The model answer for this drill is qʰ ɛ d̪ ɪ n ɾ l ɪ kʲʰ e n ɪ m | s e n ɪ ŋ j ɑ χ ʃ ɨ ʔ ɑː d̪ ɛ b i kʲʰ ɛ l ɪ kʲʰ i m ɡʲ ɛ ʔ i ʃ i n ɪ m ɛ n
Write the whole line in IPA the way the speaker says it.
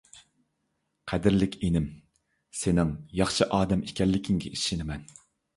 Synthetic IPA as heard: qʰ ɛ d̪ ɪ ɾ l ɪ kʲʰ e n ɪ m | s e n ɪ ŋ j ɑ χ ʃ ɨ ʔ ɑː d̪ ɛ m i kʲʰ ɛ lː ɪ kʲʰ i ŋ ɡʲ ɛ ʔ i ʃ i n ɪ m ɛ n